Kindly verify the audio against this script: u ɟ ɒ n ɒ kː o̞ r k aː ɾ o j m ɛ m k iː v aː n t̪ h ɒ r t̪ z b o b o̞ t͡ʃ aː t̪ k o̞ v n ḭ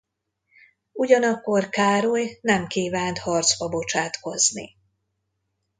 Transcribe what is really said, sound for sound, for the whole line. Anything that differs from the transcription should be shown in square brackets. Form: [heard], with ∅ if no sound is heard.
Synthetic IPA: u ɟ ɒ n ɒ kː o̞ r k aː ɾ o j [n] ɛ m k iː v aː n t̪ h ɒ r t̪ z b [ɒ] b o̞ t͡ʃ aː t̪ k o̞ [z] n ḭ